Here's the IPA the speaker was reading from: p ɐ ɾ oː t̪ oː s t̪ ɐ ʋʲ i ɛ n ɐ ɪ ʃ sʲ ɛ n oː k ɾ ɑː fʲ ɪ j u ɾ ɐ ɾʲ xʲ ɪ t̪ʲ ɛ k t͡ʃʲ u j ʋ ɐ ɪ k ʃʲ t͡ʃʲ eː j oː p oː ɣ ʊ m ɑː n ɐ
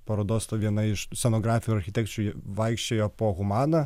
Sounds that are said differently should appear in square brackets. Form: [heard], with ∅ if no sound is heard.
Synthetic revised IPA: p ɐ ɾ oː [d̪] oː s t̪ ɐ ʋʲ i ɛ n ɐ ɪ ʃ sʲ ɛ n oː [ɡ] ɾ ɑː fʲ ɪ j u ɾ ɐ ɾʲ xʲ ɪ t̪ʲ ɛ k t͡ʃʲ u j ʋ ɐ ɪ k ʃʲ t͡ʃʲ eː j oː p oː ɣ ʊ m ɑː n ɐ